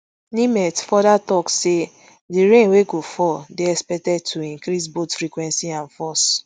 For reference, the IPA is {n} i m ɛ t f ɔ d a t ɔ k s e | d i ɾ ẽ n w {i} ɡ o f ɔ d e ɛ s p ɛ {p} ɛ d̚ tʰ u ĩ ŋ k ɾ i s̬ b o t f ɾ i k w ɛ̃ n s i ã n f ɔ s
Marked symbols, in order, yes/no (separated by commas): yes, no, no